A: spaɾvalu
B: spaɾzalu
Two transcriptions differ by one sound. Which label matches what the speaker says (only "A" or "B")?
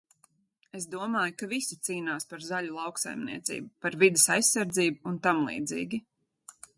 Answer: B